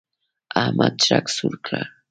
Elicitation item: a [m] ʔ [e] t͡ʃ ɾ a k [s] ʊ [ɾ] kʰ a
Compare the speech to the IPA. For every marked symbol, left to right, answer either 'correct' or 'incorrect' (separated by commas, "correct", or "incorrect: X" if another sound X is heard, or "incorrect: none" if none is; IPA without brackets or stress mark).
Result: correct, incorrect: a, correct, correct